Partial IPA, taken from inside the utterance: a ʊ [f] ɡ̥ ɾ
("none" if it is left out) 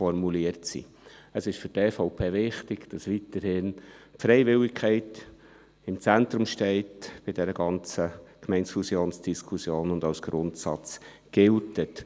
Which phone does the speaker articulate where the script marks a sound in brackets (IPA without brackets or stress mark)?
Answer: s